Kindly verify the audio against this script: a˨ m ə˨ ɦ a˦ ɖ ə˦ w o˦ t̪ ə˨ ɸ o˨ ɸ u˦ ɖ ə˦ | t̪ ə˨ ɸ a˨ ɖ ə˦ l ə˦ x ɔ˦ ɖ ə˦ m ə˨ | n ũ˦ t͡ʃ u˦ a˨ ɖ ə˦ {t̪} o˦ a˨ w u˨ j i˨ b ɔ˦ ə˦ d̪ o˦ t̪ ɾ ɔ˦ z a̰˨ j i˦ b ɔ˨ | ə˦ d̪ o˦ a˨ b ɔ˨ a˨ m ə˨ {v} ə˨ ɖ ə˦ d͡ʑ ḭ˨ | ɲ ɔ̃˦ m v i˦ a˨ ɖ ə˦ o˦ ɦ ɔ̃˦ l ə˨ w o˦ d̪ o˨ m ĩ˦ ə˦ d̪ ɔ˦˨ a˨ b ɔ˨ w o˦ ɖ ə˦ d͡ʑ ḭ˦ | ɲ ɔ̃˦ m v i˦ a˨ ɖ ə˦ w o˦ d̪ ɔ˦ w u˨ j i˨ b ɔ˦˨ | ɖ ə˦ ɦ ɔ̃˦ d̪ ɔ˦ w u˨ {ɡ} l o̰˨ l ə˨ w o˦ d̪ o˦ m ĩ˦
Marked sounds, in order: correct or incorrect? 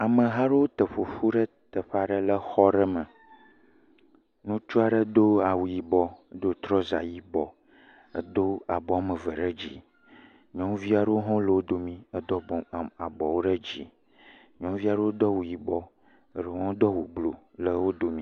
incorrect: d̪, correct, incorrect: b

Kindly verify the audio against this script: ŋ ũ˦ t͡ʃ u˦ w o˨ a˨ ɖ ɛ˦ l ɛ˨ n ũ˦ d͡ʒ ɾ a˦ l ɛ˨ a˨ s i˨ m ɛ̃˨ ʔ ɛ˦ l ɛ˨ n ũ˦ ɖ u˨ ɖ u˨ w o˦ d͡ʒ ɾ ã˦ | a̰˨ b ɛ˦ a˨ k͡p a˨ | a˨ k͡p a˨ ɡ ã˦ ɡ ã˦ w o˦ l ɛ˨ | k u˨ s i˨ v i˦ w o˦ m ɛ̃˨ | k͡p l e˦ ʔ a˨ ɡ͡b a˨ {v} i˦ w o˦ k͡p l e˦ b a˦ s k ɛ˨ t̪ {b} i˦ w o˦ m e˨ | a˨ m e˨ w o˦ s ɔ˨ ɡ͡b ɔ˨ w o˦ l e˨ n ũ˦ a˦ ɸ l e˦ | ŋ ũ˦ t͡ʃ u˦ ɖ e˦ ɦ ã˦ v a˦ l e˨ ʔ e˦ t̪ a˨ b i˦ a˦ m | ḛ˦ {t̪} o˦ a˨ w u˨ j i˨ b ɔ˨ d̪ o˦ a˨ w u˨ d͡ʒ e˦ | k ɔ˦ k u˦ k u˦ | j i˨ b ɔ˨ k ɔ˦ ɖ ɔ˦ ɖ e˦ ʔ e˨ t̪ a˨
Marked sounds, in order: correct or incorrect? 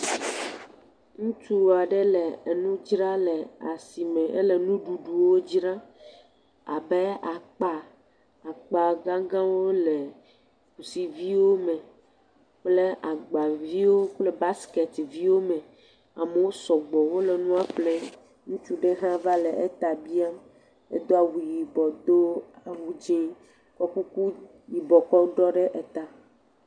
correct, incorrect: v, incorrect: d̪

